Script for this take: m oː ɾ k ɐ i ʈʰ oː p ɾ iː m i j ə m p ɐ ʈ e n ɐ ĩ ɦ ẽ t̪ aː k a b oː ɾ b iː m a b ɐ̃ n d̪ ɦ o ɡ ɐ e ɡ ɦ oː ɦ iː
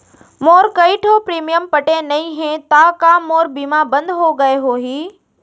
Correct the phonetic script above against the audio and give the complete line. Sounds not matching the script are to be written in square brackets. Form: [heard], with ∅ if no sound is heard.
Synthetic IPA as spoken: m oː ɾ k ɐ i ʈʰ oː p ɾ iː m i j ə m p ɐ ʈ e n ɐ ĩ ɦ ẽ t̪ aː k a [m] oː ɾ b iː m a b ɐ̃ n d̪ ɦ o ɡ ɐ e [∅] ɦ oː ɦ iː